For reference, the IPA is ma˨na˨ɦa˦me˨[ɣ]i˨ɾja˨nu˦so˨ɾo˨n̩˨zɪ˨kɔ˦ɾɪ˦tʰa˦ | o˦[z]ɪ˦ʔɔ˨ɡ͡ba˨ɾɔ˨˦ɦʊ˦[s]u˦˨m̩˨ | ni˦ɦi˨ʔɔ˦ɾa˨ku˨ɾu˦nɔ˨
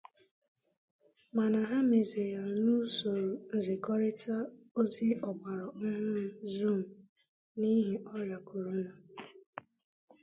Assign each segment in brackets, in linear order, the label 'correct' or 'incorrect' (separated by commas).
incorrect, correct, incorrect